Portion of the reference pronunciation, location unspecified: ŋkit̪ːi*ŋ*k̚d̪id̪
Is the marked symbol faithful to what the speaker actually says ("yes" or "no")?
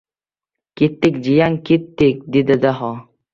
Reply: no